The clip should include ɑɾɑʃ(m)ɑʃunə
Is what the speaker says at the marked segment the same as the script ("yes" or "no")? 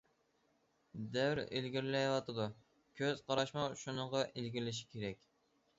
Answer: yes